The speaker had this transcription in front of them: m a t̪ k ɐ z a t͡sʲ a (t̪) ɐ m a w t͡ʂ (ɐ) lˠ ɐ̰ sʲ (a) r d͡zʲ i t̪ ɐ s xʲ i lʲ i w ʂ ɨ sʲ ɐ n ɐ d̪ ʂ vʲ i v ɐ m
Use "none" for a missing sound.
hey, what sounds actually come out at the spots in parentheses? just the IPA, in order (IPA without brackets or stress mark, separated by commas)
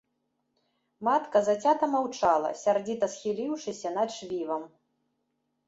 t̪, a, a